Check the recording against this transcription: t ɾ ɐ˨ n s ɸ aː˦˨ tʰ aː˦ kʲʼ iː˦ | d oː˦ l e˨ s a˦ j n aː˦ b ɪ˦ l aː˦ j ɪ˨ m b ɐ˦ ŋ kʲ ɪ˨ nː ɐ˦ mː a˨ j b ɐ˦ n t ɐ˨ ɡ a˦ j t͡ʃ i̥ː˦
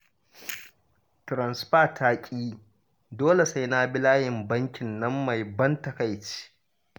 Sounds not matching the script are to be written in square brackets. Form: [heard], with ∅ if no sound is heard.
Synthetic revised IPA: t ɾ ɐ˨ n s ɸ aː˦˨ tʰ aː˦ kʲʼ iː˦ | d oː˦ l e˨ s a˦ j n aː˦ b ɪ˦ l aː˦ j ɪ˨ m b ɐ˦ ŋ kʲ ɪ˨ nː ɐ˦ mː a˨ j b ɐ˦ n t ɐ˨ [k] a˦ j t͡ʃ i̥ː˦

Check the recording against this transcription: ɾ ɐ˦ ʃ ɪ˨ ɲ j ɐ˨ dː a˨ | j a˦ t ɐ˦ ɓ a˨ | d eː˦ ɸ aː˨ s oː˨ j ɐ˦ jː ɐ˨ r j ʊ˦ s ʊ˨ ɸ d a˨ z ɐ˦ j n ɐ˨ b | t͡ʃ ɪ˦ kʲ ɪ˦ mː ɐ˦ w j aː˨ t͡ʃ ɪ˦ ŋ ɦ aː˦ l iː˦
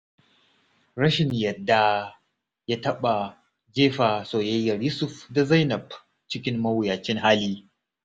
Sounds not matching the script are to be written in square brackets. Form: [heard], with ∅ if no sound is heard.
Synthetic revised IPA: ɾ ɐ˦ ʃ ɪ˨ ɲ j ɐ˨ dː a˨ | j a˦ t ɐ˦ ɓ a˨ | [d͡ʒ] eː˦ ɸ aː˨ s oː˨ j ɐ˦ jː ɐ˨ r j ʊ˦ s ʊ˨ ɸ d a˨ z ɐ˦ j n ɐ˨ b | t͡ʃ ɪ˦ kʲ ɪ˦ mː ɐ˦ w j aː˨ t͡ʃ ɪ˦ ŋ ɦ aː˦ l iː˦

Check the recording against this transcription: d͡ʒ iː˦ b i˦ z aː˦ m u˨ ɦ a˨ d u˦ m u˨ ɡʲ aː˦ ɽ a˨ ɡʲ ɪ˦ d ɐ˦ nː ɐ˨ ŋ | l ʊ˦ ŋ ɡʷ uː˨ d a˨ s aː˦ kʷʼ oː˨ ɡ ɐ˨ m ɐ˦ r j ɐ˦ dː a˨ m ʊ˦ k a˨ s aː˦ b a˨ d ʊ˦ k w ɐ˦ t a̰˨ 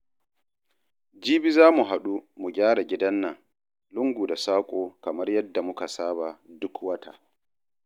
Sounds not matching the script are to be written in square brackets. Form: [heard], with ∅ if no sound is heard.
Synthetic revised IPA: d͡ʒ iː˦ b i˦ z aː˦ m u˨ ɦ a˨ [ɗ] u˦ m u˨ ɡʲ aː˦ ɽ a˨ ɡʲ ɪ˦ d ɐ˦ nː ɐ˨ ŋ | l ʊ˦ ŋ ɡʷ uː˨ d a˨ s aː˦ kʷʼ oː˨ [k] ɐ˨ m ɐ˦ r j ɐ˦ dː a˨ m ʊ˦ k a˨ s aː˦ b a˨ d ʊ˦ k w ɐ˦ t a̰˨

